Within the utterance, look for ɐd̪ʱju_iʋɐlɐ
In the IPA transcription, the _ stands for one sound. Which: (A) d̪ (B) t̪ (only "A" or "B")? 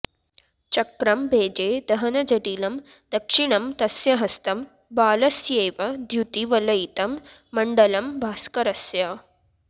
B